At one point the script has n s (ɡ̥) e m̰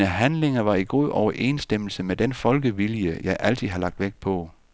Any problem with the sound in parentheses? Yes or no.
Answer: yes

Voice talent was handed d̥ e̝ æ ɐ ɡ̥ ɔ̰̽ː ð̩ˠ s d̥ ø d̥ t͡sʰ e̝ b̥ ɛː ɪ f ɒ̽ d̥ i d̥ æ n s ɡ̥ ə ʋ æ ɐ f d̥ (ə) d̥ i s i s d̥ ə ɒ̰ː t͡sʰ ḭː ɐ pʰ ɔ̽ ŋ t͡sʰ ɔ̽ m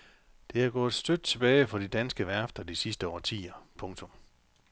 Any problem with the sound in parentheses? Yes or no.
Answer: yes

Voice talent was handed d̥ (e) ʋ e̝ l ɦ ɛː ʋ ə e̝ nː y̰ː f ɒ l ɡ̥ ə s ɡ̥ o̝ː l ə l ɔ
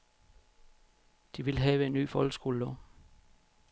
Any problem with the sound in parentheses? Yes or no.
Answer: yes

